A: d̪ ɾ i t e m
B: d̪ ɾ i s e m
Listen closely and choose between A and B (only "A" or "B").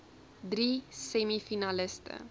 B